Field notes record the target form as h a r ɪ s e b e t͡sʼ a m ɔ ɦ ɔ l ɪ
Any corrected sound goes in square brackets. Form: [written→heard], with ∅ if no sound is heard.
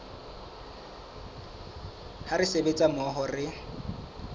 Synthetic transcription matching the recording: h a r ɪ s e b e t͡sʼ a m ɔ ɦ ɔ [l→r] ɪ